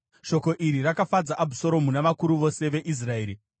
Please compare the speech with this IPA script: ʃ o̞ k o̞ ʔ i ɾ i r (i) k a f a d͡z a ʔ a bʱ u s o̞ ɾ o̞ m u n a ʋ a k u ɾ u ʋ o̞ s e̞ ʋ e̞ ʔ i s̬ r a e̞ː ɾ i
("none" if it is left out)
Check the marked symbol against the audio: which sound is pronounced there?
a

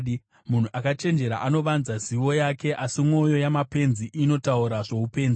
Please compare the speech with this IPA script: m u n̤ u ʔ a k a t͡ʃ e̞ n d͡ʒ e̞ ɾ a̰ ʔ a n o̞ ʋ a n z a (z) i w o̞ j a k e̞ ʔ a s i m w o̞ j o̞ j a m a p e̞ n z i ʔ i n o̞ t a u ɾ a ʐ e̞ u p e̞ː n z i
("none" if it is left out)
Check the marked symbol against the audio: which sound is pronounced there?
z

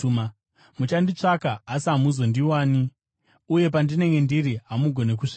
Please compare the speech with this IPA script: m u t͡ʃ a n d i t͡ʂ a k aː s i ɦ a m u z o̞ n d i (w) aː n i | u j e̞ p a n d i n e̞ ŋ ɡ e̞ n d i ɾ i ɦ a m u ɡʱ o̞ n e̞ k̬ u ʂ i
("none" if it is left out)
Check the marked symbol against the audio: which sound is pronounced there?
w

